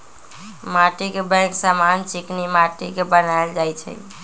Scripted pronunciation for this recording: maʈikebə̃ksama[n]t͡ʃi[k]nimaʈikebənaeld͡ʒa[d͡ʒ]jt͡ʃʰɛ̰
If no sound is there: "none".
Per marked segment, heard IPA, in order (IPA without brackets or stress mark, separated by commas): n, k, none